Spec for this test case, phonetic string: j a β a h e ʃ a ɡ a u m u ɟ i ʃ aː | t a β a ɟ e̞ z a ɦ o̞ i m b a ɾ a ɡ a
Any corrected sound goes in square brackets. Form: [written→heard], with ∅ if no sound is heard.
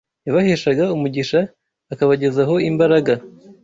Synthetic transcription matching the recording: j a β a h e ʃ a ɡ a u m u ɟ i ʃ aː | [t→k] a β a ɟ e̞ z a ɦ o̞ i m b a ɾ a ɡ a